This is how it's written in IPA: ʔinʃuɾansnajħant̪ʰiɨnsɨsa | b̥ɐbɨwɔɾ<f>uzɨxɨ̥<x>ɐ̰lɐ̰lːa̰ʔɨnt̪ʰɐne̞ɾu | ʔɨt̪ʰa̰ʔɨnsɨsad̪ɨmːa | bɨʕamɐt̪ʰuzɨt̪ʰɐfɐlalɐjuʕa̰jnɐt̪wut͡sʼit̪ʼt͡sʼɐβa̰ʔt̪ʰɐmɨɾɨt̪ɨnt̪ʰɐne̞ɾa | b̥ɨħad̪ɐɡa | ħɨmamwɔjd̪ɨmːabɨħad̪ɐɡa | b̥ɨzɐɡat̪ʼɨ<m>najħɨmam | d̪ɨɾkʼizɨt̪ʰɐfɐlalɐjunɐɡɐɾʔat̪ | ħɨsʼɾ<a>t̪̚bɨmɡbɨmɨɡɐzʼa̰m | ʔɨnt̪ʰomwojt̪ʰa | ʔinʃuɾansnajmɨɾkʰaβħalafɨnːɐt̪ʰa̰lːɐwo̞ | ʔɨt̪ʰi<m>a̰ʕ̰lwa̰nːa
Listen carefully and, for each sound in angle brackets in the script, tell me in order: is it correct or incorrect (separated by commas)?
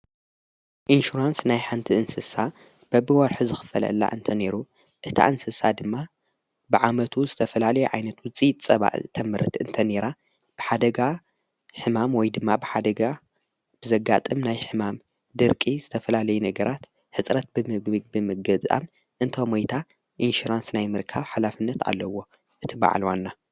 incorrect, incorrect, correct, incorrect, incorrect